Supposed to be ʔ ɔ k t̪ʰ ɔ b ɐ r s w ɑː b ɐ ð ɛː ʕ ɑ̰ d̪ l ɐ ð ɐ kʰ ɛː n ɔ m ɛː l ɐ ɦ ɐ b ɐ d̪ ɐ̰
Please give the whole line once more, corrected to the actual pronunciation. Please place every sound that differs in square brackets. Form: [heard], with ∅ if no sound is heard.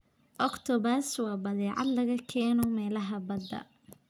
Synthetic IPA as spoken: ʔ ɔ k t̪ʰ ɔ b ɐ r s w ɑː b ɐ ð ɛː ʕ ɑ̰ d̪ l ɐ [ɣ] ɐ kʰ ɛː n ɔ m ɛː l ɐ ɦ ɐ b ɐ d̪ ɐ̰

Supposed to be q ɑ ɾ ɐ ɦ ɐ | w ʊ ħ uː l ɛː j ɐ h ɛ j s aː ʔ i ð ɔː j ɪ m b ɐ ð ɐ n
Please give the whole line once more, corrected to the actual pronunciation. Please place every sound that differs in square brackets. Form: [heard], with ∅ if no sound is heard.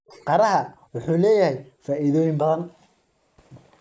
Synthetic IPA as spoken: q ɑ ɾ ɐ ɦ ɐ | w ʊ ħ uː l ɛː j ɐ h ɛ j [f] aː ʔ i ð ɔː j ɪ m b ɐ ð ɐ n

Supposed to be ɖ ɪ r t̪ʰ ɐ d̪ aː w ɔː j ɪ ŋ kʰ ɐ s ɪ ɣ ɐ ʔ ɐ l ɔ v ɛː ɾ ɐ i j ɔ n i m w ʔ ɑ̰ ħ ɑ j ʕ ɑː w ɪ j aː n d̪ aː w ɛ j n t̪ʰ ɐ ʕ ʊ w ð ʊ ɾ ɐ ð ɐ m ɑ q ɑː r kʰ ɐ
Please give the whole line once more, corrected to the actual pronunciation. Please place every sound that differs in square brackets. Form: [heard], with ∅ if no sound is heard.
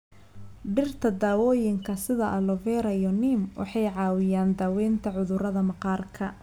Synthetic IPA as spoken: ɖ ɪ r t̪ʰ ɐ d̪ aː w ɔː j ɪ ŋ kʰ ɐ s ɪ [ð] ɐ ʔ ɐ l ɔ v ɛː ɾ ɐ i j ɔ n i m w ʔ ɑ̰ ħ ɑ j ʕ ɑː w ɪ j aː n d̪ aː w ɛ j n t̪ʰ ɐ ʕ ʊ [∅] ð ʊ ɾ ɐ ð ɐ m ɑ q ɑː r kʰ ɐ

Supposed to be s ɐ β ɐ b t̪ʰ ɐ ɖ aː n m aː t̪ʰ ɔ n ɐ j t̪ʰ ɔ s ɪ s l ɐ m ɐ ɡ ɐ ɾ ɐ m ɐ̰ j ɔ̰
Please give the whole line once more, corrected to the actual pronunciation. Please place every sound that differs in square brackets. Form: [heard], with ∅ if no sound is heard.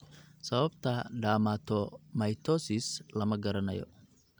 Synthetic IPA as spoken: s ɐ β ɐ b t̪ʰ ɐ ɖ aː [∅] m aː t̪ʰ ɔ [m] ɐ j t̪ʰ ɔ s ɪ s l ɐ m ɐ ɡ ɐ ɾ ɐ [n] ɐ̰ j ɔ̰

